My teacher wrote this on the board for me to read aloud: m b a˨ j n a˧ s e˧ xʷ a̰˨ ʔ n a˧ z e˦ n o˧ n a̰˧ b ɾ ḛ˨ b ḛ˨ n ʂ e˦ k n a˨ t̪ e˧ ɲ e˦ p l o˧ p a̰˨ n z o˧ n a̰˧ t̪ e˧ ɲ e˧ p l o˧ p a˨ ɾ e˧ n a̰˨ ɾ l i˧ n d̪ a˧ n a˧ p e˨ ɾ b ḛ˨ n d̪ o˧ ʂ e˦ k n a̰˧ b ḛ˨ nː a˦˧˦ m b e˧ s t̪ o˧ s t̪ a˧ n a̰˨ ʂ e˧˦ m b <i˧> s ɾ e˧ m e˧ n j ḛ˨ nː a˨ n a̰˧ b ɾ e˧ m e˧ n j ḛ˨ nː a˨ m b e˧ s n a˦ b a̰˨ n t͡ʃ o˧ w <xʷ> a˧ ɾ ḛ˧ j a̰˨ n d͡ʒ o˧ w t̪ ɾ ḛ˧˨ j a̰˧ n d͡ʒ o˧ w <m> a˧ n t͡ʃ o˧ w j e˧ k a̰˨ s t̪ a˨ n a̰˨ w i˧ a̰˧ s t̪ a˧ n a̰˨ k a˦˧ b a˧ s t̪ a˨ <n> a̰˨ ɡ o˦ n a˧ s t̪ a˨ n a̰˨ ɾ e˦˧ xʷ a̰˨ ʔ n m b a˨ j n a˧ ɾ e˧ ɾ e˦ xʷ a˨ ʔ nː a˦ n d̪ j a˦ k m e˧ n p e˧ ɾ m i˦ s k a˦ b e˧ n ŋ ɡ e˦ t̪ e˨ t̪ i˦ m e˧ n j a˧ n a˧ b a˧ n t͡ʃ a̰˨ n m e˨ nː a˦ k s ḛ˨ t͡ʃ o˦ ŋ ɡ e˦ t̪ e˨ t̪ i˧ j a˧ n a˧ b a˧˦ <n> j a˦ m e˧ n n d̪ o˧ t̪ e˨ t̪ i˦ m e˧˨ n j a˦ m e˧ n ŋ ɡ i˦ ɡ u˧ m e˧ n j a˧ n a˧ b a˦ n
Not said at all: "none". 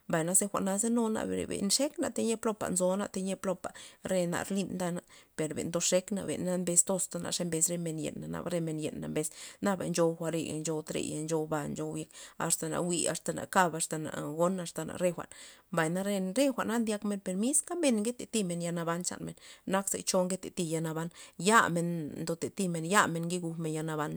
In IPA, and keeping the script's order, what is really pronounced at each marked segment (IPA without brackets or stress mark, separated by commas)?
e˧, xʷ, b, n, n